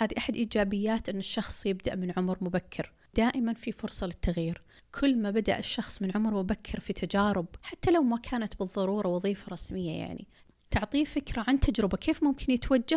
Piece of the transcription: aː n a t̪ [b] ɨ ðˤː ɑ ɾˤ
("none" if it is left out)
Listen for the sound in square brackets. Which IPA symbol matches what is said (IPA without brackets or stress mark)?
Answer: b